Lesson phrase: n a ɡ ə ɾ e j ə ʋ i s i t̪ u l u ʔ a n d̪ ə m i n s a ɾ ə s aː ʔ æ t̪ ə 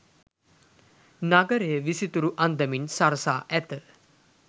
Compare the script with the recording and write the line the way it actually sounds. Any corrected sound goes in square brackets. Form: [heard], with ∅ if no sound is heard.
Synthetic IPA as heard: n a ɡ ə ɾ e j ə ʋ i s i t̪ u [ɾ] u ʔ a n d̪ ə m i n s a ɾ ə s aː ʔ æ t̪ ə